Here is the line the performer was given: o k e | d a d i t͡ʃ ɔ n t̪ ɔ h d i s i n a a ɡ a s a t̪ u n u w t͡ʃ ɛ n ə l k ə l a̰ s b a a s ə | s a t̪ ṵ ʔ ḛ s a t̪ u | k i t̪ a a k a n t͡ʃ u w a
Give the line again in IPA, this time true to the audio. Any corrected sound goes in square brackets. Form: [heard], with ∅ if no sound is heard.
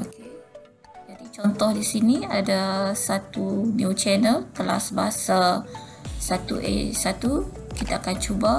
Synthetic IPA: o k e | [d͡ʒ] a d i t͡ʃ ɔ n t̪ ɔ h d i s i n [i] a [d] a s a t̪ u n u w t͡ʃ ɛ n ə l k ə l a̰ s b a a s [a] | s a t̪ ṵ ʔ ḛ s a t̪ u | k i t̪ a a k a n t͡ʃ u [b] a